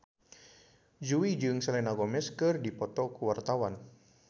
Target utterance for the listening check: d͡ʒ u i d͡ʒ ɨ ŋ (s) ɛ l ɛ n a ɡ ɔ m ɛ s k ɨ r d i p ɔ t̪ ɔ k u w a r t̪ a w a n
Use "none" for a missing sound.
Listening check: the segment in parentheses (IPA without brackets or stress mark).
s